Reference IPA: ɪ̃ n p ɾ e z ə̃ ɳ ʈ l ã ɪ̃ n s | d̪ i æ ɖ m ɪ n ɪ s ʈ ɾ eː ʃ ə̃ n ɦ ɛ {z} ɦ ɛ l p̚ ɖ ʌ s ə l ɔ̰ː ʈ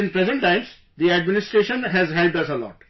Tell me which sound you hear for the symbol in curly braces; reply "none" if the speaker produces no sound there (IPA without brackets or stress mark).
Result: z